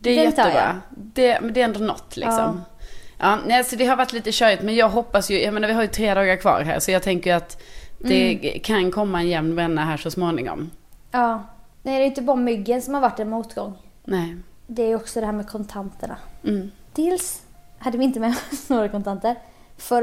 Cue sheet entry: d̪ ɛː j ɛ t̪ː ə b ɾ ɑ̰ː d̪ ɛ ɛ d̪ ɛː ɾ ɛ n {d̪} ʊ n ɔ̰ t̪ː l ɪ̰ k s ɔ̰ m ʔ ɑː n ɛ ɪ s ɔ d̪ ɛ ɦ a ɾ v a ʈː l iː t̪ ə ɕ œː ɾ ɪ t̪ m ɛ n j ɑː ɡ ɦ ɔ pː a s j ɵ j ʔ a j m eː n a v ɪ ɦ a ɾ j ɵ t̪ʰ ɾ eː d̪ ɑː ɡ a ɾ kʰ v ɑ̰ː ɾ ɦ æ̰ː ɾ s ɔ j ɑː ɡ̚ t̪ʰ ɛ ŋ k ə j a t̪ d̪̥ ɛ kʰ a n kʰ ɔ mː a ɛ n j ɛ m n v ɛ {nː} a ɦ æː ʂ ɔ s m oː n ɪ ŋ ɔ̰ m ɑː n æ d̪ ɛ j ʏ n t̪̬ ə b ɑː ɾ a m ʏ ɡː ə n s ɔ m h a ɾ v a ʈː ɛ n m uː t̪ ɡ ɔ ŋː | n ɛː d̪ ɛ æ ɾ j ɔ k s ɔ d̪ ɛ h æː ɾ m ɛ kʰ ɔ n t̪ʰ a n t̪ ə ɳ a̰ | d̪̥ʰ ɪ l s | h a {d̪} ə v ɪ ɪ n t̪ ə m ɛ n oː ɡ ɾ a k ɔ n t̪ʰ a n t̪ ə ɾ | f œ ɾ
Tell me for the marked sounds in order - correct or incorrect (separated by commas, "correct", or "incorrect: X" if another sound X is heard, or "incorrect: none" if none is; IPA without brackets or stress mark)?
correct, correct, incorrect: d̪ː